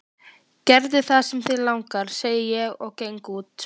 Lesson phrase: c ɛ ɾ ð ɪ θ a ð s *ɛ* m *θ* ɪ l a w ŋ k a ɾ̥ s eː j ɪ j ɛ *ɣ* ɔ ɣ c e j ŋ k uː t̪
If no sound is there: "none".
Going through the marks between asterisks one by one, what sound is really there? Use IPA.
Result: ɛ, θ, ɣ

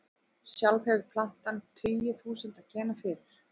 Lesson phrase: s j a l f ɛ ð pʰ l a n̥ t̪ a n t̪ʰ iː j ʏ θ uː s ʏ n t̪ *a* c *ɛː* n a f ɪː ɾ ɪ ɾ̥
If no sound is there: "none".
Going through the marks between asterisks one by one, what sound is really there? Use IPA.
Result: a, ɛː

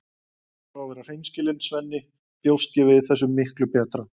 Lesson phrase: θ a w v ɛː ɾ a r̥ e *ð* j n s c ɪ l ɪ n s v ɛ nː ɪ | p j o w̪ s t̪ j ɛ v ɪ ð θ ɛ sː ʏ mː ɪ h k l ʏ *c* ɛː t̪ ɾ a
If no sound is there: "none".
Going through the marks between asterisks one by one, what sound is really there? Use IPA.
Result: none, p

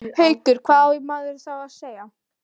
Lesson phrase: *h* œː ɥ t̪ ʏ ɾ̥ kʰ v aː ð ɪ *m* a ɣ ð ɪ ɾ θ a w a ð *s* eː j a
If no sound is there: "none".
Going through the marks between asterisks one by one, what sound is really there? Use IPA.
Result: h, m, s

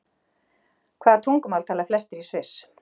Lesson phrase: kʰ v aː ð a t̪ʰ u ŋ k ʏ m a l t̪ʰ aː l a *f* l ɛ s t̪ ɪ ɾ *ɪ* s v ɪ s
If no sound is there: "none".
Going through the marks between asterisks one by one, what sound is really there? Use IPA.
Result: f, i

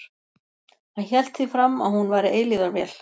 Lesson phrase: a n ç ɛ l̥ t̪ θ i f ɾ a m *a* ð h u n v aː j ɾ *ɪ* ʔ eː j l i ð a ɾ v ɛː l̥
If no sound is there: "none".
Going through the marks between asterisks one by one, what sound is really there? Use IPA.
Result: a, ɪ

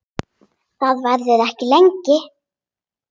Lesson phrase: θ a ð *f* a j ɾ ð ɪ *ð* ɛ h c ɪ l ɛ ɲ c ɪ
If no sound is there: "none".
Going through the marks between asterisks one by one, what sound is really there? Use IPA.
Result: v, ð

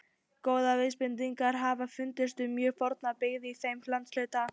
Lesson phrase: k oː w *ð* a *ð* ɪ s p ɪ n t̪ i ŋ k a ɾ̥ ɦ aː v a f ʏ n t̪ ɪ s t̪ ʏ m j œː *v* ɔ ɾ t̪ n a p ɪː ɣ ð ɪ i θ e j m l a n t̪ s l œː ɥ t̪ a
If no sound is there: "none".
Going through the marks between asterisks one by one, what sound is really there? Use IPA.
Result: ð, v, f

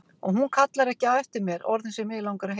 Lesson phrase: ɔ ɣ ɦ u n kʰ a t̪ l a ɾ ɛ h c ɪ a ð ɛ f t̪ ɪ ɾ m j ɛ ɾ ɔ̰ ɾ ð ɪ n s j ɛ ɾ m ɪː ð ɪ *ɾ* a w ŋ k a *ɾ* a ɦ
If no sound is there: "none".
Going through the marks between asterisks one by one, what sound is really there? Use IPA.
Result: l, ɾ

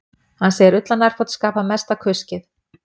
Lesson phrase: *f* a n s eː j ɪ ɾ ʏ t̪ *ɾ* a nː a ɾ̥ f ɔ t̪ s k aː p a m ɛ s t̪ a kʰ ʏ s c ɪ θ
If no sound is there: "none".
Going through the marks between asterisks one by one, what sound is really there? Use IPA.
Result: h, l

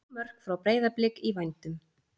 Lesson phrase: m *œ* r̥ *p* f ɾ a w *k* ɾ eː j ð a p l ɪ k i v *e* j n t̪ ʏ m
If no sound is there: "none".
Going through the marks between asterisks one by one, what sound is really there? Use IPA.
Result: œ, k, p, a

